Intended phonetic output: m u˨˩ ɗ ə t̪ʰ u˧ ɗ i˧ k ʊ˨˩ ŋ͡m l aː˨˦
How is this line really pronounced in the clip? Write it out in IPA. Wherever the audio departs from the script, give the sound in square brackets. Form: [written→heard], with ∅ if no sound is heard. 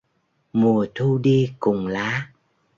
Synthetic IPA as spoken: m u˨˩ [ɗ→∅] ə t̪ʰ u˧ ɗ i˧ k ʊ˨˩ ŋ͡m l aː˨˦